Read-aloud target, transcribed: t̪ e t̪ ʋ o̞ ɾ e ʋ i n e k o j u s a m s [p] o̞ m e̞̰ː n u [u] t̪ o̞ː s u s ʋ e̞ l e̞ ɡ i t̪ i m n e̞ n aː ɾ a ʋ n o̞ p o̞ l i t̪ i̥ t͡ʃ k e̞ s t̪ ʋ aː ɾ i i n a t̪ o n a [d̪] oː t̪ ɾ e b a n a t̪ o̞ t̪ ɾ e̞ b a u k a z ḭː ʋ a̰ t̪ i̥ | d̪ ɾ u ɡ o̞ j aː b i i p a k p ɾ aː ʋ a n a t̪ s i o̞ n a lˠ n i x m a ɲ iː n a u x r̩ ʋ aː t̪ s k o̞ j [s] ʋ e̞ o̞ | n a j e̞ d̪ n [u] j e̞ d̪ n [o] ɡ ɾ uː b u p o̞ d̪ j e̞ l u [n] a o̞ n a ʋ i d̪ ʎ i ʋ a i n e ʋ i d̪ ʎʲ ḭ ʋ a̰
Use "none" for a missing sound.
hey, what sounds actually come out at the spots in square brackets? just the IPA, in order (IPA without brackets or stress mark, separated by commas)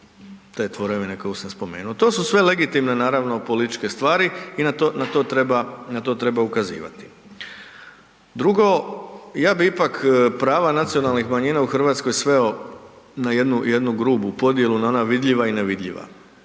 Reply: p, o, t̪, s, u, u, n